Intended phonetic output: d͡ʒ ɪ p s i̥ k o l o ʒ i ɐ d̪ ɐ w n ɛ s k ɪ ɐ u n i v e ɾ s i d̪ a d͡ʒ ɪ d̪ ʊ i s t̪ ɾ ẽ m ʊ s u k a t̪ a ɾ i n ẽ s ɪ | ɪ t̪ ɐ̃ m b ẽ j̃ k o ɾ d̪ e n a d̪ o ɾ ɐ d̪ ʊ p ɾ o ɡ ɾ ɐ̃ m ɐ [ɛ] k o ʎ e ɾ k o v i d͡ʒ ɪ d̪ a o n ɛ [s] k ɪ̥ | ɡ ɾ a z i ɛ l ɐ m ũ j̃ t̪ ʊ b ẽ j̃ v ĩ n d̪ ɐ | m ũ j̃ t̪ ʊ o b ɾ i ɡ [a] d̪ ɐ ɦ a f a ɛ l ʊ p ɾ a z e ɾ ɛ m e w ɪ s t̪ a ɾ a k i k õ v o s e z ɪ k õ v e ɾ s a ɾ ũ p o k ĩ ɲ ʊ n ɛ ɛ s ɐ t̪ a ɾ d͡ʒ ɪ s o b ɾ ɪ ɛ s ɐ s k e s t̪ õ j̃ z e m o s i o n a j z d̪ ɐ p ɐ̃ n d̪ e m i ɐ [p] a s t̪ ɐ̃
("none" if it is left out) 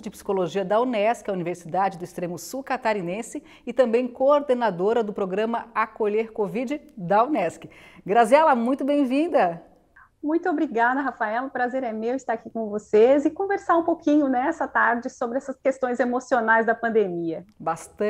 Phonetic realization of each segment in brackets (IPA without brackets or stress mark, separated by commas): a, s, a, b